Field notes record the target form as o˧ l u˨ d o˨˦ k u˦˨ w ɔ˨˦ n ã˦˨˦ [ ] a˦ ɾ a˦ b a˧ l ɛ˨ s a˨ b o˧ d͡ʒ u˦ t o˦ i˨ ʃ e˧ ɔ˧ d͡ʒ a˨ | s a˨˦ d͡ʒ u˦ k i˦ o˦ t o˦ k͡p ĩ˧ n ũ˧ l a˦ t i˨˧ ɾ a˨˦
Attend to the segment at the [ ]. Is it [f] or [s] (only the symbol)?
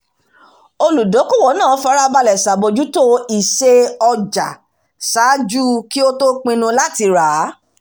f